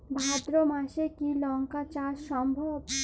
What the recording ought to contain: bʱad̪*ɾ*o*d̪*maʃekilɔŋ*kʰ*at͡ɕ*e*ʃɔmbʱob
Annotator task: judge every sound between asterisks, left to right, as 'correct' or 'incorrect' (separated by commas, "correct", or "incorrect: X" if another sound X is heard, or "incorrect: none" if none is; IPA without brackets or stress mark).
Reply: correct, incorrect: none, incorrect: k, incorrect: a